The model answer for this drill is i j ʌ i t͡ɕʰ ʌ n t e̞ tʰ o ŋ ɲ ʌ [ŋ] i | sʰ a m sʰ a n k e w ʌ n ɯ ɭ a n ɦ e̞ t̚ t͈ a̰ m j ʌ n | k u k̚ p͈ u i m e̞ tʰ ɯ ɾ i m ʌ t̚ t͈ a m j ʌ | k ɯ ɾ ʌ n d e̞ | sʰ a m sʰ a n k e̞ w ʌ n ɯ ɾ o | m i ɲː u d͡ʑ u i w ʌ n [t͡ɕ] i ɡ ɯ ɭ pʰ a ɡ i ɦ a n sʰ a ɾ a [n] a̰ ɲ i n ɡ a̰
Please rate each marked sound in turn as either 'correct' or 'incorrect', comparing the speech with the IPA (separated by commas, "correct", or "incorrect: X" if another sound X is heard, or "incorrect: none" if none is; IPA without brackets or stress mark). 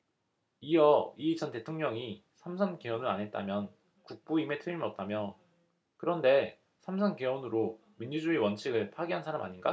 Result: correct, incorrect: t͡ɕʰ, incorrect: m